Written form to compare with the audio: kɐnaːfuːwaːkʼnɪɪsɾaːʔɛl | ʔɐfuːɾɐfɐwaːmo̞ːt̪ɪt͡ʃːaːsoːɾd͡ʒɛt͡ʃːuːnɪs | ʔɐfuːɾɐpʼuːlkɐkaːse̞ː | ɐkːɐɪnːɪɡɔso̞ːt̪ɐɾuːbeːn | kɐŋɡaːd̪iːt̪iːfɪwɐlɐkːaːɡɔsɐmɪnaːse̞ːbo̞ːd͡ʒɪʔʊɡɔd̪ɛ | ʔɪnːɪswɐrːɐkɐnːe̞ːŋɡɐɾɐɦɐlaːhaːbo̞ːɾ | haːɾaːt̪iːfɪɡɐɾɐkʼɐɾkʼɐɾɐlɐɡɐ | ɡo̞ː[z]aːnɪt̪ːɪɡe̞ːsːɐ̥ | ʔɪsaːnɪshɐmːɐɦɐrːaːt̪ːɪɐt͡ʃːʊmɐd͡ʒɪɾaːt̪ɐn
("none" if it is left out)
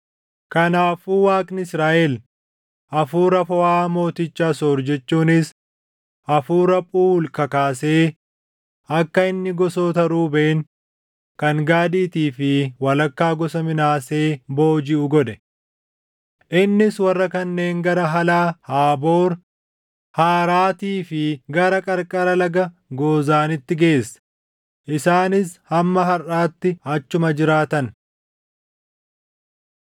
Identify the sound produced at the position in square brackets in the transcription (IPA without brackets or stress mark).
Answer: z